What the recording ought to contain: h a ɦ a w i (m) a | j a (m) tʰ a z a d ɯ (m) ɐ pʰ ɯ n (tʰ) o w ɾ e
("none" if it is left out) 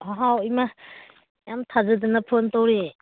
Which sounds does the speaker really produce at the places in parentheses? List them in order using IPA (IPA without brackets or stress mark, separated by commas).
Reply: m, m, n, t